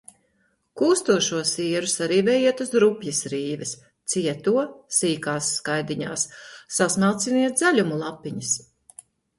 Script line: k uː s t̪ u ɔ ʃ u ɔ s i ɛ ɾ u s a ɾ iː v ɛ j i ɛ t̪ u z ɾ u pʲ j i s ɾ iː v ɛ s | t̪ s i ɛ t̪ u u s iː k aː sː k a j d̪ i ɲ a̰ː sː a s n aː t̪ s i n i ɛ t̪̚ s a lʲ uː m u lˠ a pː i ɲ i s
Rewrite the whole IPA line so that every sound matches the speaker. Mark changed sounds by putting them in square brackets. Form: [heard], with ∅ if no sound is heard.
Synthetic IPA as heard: k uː s t̪ u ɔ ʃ u ɔ s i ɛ ɾ u s a ɾ iː v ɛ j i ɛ t̪ u z ɾ u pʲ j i s ɾ iː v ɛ s | t̪ s i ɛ t̪ u [ɔ] s iː k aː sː k a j d̪ i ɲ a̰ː sː a s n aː t̪ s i n i ɛ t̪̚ [z] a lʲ [u] m u lˠ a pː i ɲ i s